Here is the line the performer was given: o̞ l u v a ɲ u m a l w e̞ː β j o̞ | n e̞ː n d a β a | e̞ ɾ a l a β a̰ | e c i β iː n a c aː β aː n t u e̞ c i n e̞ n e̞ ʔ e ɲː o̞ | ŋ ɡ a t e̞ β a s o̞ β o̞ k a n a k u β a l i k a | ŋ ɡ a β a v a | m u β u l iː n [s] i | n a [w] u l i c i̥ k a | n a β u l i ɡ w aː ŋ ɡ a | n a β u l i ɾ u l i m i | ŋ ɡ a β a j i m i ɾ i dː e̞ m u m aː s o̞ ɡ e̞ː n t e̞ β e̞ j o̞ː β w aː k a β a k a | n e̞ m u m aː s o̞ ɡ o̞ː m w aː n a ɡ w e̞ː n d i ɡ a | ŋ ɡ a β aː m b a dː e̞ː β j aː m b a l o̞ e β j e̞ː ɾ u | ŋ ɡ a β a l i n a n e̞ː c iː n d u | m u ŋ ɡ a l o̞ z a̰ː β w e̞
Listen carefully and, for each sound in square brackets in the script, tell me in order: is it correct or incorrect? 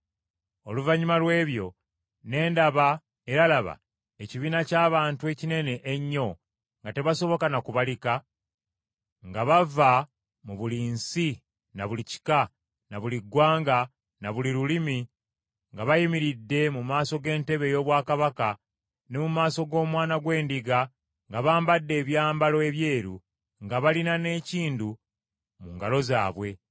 correct, incorrect

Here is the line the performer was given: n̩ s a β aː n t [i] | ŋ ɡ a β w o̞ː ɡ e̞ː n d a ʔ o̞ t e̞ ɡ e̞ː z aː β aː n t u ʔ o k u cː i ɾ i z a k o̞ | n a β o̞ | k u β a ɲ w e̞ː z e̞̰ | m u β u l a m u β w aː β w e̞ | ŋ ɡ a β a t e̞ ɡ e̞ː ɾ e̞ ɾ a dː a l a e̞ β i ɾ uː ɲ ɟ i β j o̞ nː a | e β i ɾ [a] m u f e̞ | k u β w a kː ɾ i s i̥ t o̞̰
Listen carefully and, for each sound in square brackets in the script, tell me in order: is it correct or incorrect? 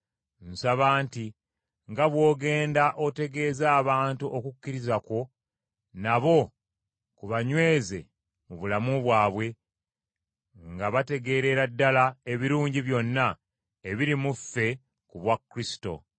correct, incorrect

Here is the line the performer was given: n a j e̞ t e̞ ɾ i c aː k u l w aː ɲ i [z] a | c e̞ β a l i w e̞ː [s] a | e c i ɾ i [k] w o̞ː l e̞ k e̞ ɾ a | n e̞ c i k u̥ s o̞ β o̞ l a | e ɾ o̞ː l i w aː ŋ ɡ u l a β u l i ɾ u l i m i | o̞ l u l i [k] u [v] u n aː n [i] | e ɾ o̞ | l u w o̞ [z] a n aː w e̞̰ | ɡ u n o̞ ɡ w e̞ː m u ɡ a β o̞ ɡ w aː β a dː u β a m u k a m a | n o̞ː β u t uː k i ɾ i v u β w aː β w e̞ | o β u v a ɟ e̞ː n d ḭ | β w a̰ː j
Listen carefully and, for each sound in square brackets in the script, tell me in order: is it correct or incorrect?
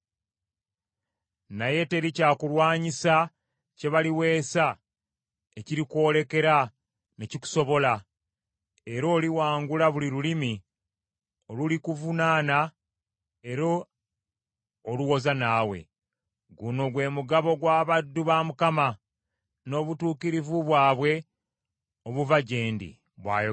incorrect, correct, correct, correct, correct, incorrect, correct

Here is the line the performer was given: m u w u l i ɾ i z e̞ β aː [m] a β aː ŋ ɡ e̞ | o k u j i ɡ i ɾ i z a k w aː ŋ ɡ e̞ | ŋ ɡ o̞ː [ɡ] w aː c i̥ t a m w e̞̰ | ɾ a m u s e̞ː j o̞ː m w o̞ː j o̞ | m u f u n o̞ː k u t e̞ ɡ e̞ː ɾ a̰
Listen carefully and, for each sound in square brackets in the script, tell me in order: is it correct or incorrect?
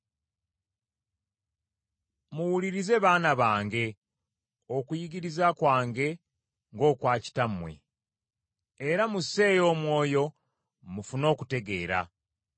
incorrect, incorrect

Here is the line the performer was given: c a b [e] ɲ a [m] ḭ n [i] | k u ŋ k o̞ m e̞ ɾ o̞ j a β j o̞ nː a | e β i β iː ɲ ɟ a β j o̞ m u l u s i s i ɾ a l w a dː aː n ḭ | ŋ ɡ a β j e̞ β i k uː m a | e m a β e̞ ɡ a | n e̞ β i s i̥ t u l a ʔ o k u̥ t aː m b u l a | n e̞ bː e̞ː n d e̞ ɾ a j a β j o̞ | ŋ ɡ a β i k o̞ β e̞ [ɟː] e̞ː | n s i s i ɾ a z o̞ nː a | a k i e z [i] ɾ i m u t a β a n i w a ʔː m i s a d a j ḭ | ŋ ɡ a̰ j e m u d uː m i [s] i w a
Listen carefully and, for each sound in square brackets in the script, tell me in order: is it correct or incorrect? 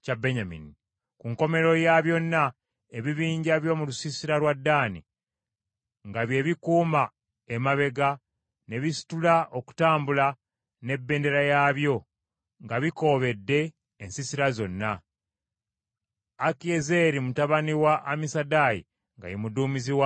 correct, correct, correct, incorrect, incorrect, incorrect

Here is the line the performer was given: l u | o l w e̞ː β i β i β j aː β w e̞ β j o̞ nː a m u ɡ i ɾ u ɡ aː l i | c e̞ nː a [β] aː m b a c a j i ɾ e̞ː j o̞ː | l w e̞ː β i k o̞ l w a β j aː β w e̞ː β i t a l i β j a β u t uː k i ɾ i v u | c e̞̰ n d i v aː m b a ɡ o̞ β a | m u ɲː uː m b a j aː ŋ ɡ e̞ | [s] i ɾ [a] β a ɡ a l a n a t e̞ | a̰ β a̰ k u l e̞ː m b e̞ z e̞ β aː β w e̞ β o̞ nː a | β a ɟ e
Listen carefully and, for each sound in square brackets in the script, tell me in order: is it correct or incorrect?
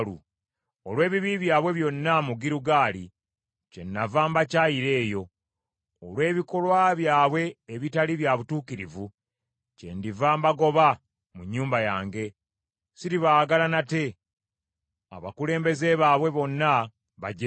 incorrect, correct, incorrect

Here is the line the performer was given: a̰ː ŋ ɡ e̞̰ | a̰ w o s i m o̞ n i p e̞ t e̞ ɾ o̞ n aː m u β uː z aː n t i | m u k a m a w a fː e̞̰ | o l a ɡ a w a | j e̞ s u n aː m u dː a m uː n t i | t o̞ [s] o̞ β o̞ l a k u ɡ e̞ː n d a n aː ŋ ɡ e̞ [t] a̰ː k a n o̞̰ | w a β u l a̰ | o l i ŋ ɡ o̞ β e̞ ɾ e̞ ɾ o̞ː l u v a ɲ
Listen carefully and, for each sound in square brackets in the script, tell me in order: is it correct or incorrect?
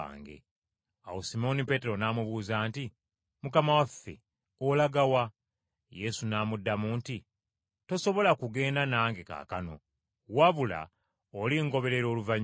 correct, incorrect

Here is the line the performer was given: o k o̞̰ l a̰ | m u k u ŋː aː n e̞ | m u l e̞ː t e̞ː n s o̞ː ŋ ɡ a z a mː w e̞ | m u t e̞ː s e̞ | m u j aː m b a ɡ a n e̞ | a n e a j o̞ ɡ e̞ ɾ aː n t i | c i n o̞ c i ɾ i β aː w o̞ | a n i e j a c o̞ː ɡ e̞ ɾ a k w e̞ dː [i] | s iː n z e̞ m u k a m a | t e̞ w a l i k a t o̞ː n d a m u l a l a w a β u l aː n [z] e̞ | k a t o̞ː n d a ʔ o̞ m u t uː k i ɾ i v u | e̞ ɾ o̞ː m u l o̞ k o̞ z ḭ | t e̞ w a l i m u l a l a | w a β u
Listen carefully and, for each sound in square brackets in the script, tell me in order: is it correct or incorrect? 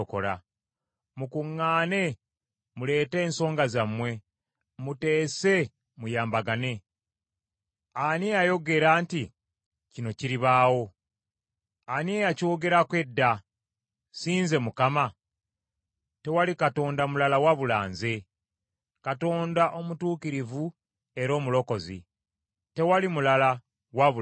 incorrect, correct

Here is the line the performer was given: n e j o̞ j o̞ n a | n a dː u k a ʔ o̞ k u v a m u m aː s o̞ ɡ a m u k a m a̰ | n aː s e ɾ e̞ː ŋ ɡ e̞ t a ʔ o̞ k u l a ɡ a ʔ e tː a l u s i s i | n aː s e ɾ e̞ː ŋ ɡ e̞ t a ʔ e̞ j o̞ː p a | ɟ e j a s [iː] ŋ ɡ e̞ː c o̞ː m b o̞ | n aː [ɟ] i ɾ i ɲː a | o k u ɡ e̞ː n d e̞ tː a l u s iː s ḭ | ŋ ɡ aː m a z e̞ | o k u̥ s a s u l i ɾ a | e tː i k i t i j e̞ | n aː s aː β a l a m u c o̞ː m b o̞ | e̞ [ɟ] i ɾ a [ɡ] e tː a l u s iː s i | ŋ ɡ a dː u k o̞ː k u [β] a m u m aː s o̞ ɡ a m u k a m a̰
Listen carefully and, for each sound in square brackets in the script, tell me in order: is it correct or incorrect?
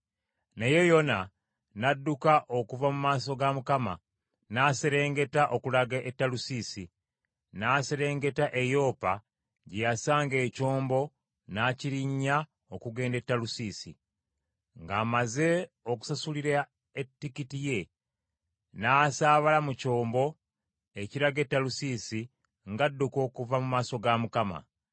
incorrect, incorrect, incorrect, correct, incorrect

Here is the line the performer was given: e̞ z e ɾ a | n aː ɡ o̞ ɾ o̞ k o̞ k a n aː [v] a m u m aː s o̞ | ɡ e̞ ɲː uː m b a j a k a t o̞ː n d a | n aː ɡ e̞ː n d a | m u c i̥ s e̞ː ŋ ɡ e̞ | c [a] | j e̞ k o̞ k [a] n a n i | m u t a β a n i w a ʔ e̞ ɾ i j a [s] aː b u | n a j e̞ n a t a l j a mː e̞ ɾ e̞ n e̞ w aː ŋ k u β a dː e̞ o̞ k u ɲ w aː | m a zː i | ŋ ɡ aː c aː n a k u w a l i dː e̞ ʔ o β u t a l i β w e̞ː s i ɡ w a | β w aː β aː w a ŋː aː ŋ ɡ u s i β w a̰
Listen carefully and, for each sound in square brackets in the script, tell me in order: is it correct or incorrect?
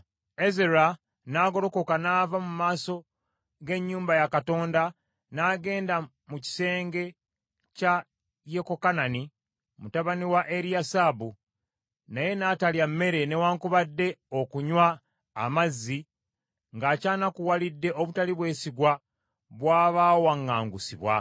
correct, correct, correct, correct

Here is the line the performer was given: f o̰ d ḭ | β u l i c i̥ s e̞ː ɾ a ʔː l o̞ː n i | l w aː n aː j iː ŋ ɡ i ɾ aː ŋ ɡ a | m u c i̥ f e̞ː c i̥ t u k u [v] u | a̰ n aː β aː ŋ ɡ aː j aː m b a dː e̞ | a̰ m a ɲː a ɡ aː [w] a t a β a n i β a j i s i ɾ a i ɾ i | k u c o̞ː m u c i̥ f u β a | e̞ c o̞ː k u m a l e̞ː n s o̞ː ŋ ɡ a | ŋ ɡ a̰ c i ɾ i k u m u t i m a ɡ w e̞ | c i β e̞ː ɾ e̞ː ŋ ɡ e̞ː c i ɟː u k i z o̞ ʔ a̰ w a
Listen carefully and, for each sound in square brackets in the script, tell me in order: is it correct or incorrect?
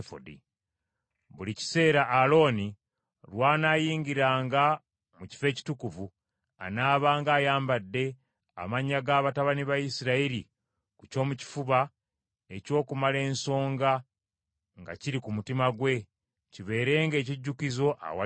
correct, incorrect

